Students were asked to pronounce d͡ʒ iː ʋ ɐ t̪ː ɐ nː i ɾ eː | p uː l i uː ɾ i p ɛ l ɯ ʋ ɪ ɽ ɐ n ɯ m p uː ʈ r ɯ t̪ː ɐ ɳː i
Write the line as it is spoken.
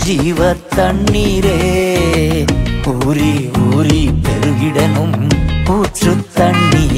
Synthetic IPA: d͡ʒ iː ʋ ɐ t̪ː ɐ ɳː i ɾ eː | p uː ɾ i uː ɾ i p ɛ ɾ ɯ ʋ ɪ ɽ ɐ n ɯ m p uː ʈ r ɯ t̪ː ɐ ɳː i